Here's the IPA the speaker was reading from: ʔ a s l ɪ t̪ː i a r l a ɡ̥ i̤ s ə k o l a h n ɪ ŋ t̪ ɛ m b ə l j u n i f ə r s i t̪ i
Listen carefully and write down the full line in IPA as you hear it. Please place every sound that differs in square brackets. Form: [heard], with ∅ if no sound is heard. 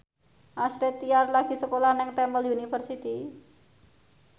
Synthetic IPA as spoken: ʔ a s [ɾ] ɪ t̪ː i a r l a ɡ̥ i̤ s ə k o l a h n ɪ ŋ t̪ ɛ m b ə l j u n i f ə r s i t̪ i